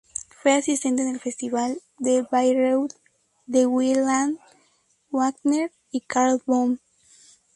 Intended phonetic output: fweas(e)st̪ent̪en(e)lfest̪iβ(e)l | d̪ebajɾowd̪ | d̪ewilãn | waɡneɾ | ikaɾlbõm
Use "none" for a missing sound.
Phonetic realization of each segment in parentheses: i, e, a

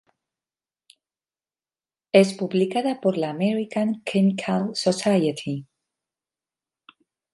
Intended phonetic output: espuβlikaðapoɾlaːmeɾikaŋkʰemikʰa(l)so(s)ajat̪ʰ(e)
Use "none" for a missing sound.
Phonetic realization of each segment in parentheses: l, s, i

